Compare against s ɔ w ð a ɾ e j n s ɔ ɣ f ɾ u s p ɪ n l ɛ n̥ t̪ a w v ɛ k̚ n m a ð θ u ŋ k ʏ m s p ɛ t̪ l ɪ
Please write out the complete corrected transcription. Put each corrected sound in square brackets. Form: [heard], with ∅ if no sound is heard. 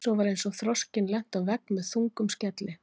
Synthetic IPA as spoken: s ɔ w [v] a ɾ e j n s ɔ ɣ [θ] ɾ [ɔ] s [c] ɪ n l ɛ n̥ t̪ a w v ɛ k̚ n m [ɛ] ð θ u ŋ k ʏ m s [c] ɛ t̪ l ɪ